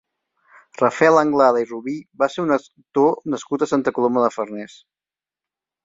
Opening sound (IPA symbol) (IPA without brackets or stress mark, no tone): r